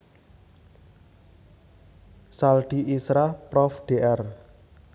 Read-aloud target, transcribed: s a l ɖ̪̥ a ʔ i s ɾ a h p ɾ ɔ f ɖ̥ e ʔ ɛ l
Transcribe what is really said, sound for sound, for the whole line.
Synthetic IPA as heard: s a l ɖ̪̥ i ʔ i s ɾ a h p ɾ ɔ f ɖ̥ e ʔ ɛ r